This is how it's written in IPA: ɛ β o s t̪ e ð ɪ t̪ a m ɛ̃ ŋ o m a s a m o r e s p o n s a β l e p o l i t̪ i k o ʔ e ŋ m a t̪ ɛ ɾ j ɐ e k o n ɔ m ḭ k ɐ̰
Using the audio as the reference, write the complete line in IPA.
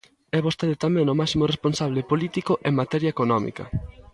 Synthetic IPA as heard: ɛ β o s t̪ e ð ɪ t̪ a m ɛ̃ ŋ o m a s i m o r e s p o n s a β l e p o l i t̪ i k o ʔ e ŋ m a t̪ ɛ ɾ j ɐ e k o n ɔ m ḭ k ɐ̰